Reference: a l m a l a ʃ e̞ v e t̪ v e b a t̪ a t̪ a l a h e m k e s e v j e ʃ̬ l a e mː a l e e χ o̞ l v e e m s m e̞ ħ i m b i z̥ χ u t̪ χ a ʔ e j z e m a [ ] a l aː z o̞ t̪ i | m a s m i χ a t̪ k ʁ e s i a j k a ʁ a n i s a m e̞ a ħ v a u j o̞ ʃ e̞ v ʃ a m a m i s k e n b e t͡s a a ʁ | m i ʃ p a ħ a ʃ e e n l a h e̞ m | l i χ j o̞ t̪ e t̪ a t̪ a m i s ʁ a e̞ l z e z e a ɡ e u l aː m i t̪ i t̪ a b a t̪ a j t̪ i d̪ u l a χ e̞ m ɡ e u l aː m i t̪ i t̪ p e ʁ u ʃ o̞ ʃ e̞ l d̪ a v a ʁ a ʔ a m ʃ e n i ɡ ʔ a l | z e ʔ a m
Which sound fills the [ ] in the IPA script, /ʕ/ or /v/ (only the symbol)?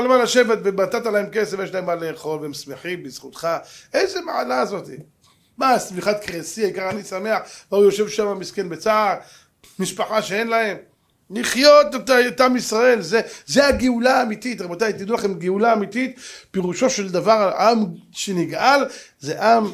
ʕ